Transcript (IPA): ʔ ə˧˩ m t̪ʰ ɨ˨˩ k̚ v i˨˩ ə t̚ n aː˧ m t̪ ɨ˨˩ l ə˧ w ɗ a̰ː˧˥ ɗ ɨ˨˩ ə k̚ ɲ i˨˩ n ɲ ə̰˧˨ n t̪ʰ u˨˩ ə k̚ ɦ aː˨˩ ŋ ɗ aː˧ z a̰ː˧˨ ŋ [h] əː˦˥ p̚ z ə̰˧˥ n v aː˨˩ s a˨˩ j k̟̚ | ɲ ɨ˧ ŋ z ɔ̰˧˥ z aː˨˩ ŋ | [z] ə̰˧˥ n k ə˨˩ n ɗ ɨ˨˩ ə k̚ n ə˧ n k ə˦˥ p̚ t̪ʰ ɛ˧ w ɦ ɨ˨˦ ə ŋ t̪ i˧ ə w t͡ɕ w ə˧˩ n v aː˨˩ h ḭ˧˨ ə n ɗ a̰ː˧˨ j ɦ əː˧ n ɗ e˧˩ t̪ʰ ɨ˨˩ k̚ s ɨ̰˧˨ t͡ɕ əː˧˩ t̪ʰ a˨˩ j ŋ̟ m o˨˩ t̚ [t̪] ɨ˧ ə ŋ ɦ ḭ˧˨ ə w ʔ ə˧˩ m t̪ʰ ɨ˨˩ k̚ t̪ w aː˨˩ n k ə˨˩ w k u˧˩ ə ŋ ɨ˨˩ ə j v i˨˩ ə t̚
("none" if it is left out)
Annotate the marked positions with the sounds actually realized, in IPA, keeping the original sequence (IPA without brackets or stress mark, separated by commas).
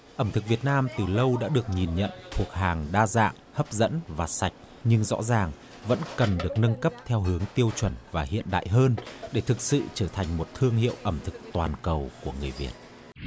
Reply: h, v, t̪ʰ